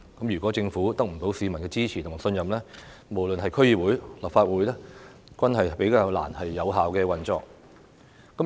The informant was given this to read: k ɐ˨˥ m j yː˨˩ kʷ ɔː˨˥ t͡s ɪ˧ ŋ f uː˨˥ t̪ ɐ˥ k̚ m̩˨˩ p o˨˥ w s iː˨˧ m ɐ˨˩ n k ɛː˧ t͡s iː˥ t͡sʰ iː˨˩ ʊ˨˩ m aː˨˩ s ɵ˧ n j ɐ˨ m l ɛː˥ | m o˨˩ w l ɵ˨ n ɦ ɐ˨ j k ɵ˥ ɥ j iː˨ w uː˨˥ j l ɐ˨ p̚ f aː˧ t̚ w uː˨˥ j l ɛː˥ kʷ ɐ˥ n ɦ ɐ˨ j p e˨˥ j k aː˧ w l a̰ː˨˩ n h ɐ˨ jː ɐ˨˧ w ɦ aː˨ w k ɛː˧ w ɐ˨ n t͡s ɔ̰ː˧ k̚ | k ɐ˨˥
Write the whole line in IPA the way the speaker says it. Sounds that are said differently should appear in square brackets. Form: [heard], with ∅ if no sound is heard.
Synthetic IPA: k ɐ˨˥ m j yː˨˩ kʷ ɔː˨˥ t͡s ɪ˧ ŋ f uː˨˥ t̪ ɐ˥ k̚ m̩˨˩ p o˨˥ w s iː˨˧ m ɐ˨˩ n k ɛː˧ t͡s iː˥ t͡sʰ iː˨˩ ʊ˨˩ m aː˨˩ s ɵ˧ n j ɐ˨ m l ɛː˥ | m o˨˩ w l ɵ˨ n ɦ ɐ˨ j [kʰ] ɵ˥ ɥ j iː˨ w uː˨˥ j l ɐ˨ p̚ f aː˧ t̚ w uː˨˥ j l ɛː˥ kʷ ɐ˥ n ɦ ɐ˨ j p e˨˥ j k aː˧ w l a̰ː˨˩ n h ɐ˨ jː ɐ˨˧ w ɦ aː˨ w k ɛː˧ w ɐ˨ n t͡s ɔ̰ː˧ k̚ | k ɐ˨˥

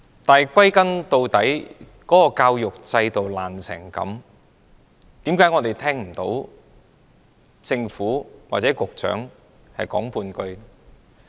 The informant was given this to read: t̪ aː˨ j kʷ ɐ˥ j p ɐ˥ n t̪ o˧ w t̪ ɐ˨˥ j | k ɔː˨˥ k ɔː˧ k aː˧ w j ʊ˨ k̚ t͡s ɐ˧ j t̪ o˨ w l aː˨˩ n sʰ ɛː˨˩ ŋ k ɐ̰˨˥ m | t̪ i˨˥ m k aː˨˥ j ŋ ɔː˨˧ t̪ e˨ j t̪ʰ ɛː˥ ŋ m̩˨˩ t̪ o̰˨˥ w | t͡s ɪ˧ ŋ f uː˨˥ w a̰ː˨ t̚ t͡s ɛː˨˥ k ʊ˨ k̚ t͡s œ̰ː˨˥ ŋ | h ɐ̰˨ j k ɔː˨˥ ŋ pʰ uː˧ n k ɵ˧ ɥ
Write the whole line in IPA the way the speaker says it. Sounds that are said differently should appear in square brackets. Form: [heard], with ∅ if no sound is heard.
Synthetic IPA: t̪ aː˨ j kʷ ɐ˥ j [k] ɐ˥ n t̪ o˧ w t̪ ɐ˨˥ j | k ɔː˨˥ k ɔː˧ k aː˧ w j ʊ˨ k̚ t͡s ɐ˧ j t̪ o˨ w l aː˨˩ n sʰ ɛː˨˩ ŋ k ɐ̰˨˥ m | t̪ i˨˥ m k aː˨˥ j ŋ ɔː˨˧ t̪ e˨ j t̪ʰ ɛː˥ ŋ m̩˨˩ t̪ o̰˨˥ w | t͡s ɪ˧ ŋ f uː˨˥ w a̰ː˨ t̚ t͡s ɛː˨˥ k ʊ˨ k̚ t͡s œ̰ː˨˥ ŋ | h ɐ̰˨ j k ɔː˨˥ ŋ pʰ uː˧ n k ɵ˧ ɥ

